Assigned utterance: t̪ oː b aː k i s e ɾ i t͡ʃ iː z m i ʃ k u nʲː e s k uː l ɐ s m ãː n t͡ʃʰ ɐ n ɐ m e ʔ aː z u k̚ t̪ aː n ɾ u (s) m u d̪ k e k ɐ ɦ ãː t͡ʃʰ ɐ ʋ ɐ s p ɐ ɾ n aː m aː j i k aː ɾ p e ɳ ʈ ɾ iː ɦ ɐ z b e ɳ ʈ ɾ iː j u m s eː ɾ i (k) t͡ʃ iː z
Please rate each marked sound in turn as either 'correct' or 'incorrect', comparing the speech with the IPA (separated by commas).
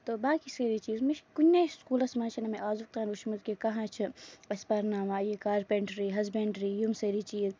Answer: incorrect, incorrect